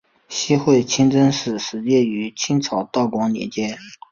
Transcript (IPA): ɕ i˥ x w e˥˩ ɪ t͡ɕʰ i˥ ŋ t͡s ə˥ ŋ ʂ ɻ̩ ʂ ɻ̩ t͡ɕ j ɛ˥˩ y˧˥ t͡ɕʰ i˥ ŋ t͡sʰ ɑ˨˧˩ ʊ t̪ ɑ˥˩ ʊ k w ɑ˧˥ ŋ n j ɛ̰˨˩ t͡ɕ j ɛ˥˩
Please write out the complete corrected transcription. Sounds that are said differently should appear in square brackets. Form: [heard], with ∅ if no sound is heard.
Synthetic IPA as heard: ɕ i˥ x w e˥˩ ɪ t͡ɕʰ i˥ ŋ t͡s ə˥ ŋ ʂ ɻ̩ ʂ ɻ̩ t͡ɕ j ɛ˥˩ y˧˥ t͡ɕʰ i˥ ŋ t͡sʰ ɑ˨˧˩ ʊ t̪ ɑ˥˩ ʊ k w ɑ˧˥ ŋ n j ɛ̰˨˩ t͡ɕ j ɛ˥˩